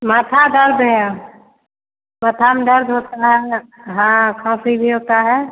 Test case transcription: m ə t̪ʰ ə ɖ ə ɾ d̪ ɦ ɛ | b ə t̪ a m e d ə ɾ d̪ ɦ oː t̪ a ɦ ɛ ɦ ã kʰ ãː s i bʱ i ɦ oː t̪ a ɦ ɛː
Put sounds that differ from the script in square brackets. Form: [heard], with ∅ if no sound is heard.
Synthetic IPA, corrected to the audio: m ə t̪ʰ [a] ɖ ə ɾ d̪ ɦ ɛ | [m] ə [t̪ʰ] a m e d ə ɾ d̪ ɦ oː t̪ a ɦ ɛ ɦ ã kʰ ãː s i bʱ i ɦ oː t̪ a ɦ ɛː